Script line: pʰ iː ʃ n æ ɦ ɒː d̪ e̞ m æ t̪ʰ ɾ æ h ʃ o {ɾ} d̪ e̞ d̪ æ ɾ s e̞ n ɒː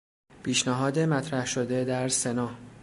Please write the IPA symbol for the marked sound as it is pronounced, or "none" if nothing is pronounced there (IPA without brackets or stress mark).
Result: none